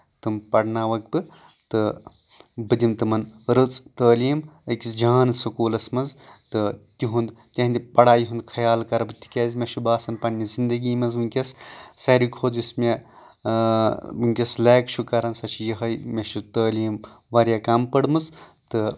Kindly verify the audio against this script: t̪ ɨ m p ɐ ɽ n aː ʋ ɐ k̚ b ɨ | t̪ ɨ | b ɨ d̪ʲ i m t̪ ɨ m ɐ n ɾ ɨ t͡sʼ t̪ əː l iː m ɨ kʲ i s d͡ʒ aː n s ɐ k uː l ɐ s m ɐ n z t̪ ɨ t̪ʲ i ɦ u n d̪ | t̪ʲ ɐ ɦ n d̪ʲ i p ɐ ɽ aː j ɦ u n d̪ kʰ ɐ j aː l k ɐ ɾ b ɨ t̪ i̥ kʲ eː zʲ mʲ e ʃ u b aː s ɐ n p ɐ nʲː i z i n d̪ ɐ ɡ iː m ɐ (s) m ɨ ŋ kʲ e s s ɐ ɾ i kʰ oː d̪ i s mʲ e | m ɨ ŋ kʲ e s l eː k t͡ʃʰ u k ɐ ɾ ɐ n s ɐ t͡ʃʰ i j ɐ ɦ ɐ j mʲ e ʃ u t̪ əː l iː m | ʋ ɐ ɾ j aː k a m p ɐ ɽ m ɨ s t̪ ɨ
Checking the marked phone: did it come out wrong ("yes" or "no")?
yes